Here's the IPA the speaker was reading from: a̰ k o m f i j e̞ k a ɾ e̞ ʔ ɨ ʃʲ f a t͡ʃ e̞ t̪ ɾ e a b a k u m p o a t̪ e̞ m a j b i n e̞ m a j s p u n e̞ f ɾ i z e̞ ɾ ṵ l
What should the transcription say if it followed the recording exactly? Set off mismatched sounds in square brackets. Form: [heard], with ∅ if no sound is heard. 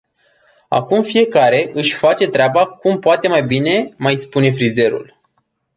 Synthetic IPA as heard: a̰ k [u] m f i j e̞ k a ɾ e̞ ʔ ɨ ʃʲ f a t͡ʃ e̞ t̪ ɾ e a b a k u m p o a t̪ e̞ m a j b i n e̞ m a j s p u n e̞ f ɾ i z e̞ ɾ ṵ l